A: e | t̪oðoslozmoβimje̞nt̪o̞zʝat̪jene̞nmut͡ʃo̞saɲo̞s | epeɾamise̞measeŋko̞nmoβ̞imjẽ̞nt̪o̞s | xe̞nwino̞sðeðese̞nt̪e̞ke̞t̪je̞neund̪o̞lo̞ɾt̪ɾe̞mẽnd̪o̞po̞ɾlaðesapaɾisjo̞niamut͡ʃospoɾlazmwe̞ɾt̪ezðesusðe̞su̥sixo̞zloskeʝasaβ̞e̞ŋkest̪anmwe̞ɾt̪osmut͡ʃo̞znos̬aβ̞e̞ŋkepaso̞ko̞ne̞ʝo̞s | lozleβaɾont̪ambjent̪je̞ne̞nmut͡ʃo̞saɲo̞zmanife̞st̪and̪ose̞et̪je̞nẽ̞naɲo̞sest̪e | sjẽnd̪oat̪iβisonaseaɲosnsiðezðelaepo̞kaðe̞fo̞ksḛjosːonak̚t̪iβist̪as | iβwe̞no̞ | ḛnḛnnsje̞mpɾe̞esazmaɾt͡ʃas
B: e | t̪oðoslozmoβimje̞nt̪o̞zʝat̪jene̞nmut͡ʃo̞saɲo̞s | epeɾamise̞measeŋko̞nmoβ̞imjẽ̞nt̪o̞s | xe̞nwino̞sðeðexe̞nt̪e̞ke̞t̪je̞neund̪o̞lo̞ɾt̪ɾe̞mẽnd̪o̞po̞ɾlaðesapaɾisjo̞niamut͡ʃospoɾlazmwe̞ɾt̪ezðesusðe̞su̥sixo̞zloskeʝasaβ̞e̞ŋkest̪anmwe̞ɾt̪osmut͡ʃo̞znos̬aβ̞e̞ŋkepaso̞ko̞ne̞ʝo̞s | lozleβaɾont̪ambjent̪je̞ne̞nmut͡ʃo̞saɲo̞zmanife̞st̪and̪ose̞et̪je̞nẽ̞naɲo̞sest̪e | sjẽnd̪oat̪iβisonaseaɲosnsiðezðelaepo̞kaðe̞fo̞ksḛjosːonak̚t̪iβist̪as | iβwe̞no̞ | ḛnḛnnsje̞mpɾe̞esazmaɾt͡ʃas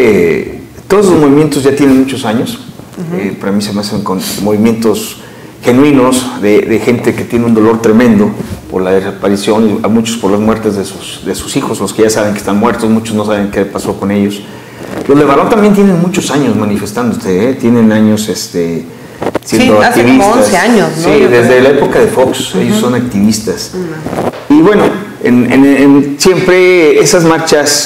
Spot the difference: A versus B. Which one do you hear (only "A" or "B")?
B